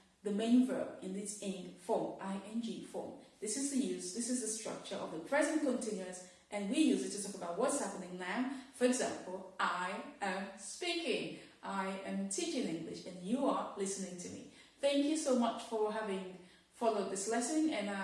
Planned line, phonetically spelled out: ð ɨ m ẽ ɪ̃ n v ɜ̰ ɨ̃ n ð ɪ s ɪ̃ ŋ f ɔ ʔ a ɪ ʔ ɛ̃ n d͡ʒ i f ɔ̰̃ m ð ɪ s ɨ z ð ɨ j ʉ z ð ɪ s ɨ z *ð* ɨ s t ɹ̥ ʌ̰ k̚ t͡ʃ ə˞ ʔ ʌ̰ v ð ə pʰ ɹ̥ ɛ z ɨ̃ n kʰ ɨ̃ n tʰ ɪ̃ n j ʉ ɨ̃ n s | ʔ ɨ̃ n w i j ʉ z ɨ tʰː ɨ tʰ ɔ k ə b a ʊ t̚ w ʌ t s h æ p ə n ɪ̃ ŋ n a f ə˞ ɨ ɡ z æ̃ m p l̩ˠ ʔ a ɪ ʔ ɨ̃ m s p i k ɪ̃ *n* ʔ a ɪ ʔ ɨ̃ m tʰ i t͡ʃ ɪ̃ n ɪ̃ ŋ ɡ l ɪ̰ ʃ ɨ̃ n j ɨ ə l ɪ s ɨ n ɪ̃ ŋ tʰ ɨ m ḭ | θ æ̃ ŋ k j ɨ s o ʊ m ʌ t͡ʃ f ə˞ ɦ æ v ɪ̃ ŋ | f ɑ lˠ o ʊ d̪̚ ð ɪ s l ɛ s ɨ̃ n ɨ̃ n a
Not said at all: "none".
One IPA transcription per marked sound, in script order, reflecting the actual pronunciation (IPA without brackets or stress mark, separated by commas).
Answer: ð, ŋ